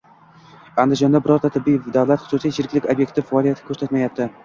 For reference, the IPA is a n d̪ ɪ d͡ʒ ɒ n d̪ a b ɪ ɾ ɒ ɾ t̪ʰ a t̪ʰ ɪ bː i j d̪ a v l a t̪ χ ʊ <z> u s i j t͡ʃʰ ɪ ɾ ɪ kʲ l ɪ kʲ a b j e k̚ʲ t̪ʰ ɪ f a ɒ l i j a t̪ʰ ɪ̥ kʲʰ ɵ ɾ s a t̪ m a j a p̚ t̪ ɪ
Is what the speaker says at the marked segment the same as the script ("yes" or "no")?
no